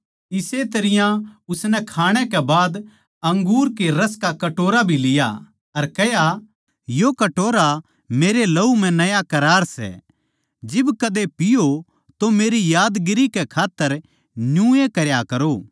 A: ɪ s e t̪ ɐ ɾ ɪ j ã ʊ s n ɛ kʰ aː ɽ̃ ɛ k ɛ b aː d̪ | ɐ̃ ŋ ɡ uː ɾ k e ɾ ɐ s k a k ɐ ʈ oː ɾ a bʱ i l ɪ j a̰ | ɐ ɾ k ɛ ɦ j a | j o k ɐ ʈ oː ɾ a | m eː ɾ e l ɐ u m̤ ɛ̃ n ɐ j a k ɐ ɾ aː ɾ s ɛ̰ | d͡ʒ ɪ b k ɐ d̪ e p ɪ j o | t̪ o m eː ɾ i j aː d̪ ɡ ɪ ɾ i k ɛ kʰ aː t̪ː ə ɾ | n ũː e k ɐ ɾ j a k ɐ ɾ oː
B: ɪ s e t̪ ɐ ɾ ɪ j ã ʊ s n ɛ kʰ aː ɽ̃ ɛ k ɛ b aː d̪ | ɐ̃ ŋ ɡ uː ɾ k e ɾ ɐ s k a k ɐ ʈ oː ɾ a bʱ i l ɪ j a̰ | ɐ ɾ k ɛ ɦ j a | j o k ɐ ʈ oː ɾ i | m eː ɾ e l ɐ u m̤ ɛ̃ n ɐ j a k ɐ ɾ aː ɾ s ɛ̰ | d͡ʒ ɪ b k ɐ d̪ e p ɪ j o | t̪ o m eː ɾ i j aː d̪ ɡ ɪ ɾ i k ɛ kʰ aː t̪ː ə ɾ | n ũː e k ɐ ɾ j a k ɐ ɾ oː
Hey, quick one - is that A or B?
A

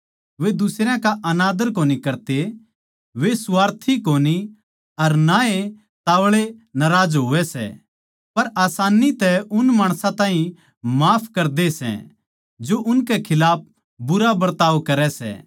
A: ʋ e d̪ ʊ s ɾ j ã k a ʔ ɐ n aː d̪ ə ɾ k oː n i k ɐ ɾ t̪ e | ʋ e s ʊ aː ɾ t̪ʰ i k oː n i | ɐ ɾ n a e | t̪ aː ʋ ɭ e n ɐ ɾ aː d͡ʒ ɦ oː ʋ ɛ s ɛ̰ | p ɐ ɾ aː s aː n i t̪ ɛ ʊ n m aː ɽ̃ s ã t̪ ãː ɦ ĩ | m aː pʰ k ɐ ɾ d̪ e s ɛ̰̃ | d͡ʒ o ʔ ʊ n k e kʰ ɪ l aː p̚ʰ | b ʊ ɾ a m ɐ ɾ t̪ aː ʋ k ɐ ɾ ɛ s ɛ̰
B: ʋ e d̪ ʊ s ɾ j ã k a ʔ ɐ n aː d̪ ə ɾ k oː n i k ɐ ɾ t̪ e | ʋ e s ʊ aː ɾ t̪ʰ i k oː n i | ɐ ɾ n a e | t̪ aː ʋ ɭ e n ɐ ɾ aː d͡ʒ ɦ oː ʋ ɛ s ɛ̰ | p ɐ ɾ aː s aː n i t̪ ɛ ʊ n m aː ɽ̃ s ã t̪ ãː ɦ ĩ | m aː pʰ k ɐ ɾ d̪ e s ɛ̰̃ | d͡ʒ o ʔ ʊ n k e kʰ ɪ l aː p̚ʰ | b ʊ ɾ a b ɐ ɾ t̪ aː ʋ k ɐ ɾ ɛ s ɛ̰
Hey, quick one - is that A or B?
B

